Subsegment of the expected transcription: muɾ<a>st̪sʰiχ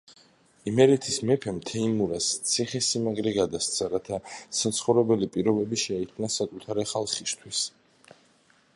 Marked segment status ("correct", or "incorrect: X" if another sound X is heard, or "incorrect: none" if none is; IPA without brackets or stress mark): correct